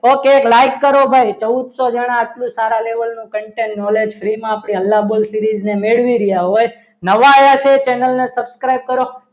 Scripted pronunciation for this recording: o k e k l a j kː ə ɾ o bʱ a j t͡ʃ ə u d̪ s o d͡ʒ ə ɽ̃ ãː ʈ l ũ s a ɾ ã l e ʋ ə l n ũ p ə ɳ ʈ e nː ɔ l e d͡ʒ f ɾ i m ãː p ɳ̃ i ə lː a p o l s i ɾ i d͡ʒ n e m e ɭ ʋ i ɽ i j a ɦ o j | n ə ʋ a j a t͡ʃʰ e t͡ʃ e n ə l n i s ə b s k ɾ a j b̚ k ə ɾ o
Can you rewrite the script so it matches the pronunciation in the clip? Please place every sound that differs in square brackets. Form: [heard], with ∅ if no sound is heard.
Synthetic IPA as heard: o k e k l a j kː ə ɾ o bʱ a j t͡ʃ ə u d̪ s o d͡ʒ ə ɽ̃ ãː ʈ l ũ s a ɾ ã l e ʋ ə l n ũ [k] ə ɳ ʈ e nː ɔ l e d͡ʒ f ɾ i m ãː p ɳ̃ i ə lː a [b] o l s i ɾ i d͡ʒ n e m e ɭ ʋ i [ɾ] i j a ɦ o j | n ə ʋ a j a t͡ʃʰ e t͡ʃ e n ə l n [e] s ə b s k ɾ a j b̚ k ə ɾ o